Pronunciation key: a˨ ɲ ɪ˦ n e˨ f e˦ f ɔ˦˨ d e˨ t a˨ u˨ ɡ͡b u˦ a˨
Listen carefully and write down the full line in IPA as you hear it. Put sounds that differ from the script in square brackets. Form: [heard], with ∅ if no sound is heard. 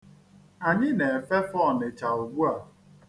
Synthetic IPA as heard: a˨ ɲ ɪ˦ n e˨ f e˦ f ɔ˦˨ [n] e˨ [t͡ʃ] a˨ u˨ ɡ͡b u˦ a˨